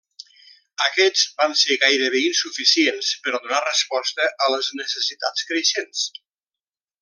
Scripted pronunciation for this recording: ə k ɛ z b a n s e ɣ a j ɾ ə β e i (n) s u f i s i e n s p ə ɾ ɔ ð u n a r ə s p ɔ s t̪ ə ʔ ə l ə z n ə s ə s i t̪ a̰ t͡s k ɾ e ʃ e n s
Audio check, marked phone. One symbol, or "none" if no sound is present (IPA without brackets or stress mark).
n